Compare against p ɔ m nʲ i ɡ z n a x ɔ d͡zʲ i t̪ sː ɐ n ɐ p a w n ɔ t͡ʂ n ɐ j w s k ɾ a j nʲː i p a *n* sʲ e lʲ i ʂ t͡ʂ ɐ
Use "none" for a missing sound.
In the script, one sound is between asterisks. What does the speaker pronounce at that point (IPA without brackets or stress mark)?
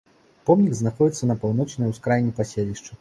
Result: none